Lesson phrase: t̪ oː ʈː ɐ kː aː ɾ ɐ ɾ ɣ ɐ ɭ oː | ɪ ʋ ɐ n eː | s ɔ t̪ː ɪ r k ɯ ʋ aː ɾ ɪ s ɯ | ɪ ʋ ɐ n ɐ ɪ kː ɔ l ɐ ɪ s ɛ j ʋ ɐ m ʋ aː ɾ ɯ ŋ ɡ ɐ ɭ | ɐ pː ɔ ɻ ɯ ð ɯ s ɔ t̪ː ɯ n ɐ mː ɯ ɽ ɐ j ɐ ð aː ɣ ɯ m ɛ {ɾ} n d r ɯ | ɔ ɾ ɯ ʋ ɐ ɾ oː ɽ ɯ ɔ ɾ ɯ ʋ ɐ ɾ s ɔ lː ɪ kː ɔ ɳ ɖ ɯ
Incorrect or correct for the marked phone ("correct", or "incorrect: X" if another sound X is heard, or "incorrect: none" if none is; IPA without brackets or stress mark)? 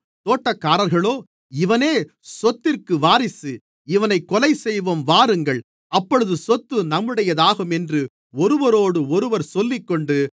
incorrect: none